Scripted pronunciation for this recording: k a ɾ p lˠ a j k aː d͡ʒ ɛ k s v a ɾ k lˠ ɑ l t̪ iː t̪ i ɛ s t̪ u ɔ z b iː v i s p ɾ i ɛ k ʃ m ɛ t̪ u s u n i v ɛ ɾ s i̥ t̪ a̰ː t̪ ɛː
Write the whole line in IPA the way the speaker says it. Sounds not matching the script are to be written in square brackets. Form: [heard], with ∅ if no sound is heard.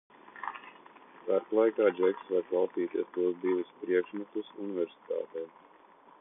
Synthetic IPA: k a ɾ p lˠ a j k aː d͡ʒ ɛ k s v a ɾ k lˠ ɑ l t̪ iː t̪ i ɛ s t̪ u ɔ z b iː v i s p ɾ i ɛ k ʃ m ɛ t̪ u s u n i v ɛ ɾ s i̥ t̪ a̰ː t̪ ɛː

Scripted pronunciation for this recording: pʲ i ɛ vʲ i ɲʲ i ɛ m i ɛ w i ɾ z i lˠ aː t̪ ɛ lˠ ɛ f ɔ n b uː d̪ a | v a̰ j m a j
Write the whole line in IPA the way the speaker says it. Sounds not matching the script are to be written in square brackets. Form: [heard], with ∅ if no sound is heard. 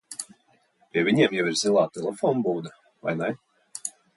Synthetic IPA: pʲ i ɛ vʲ i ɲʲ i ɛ m [j] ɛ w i ɾ z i lˠ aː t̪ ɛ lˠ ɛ f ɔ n b uː d̪ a | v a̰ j [n] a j

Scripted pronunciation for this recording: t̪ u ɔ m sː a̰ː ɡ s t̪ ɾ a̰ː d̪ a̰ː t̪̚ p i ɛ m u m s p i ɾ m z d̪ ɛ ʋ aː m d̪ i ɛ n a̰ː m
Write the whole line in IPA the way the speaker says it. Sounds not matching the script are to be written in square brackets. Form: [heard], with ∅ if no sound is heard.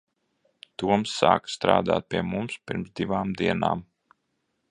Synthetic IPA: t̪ u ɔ m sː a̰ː [k] s t̪ ɾ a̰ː d̪ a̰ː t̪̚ p i ɛ m u m s p i ɾ m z d̪ [i] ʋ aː m d̪ i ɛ n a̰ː m

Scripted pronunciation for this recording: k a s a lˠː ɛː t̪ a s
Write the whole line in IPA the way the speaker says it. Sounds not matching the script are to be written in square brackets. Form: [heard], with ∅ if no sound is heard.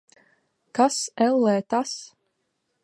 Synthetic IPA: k a s [ɛ] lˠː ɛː t̪ a s

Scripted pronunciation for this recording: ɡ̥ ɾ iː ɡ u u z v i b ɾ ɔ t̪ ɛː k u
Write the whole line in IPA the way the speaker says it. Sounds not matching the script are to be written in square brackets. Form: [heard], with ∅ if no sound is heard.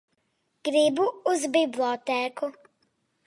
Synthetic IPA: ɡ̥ ɾ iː [b] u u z [b] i b [l] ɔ t̪ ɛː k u

